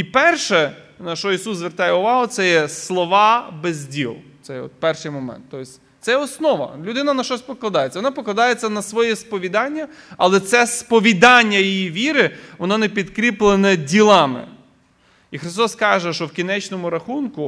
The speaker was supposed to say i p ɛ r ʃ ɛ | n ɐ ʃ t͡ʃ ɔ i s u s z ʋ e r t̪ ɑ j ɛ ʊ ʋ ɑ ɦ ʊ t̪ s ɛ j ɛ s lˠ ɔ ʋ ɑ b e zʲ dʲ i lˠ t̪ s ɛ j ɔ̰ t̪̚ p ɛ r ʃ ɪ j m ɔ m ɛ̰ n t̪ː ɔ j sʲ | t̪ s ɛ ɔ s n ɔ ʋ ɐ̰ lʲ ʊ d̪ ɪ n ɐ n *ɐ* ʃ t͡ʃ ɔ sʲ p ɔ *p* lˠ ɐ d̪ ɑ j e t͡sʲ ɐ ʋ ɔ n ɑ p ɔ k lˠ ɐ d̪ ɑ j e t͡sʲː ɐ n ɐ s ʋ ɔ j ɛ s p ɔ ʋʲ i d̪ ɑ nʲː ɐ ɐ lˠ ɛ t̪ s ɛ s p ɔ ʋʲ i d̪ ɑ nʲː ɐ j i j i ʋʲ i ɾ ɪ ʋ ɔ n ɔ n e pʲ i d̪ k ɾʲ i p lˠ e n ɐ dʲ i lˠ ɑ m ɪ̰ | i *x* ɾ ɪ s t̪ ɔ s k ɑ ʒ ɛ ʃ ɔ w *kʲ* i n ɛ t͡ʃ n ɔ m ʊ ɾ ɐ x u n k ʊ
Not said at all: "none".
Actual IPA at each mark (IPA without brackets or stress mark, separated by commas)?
ɐ, k, x, kʲ